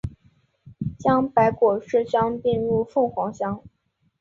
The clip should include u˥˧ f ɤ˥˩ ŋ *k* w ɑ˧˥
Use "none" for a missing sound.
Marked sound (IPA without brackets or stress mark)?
x